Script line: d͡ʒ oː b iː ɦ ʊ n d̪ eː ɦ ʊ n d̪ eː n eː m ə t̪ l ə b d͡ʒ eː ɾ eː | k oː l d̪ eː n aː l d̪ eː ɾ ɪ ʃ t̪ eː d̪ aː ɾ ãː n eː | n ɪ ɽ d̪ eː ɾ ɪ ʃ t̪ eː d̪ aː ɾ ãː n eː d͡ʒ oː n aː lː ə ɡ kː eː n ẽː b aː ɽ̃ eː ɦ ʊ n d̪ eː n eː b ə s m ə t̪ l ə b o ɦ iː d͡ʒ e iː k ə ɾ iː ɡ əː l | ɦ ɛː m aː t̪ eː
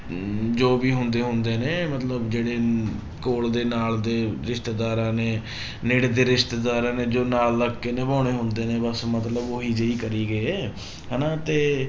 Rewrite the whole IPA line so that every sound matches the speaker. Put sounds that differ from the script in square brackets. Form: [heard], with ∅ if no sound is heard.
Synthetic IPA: d͡ʒ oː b iː ɦ ʊ n d̪ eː ɦ ʊ n d̪ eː n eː m ə t̪ l ə b d͡ʒ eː [ɽ] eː | k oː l d̪ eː n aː l d̪ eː ɾ ɪ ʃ t̪ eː d̪ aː ɾ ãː n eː | n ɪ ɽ d̪ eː ɾ ɪ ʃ t̪ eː d̪ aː ɾ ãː n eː d͡ʒ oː n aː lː ə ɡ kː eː n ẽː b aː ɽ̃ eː ɦ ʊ n d̪ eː n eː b ə s m ə t̪ l ə b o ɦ iː d͡ʒ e iː k ə ɾ iː ɡ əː [∅] | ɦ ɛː [n] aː t̪ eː